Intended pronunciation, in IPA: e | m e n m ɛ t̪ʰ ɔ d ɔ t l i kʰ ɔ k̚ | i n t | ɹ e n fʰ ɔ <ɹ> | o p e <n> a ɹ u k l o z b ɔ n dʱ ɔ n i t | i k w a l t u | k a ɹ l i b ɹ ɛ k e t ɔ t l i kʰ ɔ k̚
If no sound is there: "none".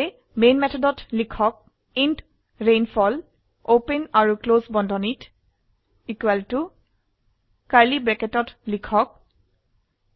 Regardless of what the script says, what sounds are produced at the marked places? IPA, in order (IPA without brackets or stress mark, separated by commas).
l, n